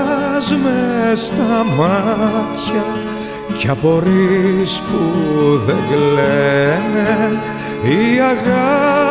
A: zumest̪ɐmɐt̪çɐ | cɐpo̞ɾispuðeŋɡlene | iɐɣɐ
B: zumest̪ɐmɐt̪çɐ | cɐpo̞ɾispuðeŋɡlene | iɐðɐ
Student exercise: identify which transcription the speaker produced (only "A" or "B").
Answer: A